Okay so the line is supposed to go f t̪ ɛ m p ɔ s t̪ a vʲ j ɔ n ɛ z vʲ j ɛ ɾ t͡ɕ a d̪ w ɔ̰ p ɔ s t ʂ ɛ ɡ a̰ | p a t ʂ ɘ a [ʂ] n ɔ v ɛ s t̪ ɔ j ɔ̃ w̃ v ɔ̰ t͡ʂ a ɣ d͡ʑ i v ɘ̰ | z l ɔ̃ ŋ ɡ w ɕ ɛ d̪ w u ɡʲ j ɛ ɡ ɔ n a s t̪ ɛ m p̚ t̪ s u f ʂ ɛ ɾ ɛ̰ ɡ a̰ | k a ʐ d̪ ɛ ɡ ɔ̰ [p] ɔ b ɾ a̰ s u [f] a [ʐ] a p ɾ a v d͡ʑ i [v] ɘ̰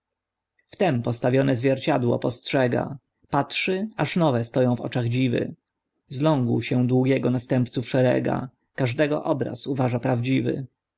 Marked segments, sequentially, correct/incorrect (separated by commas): correct, incorrect, incorrect, correct, correct